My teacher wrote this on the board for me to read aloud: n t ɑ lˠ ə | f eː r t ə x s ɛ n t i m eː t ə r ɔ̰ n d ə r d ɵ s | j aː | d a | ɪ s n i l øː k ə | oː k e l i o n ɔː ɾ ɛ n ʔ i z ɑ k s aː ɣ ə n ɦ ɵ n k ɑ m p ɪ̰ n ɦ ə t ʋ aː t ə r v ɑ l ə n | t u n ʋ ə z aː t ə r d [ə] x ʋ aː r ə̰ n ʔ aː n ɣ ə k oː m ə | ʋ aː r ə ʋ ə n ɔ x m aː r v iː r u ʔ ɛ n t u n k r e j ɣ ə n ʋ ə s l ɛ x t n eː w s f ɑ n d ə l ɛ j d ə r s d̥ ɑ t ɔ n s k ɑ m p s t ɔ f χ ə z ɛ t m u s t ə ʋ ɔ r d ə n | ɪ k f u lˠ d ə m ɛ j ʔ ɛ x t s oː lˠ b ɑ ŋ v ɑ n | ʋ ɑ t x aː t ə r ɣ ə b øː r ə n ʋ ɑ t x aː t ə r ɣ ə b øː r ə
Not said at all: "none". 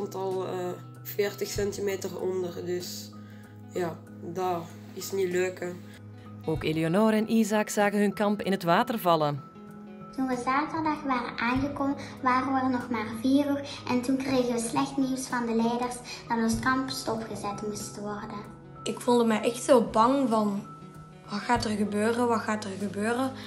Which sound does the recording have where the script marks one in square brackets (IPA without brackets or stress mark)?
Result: ɑ